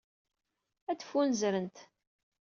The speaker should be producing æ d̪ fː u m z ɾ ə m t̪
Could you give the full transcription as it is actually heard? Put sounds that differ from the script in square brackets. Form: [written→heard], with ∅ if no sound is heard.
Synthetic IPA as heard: æ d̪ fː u [m→n] z ɾ ə [m→n] t̪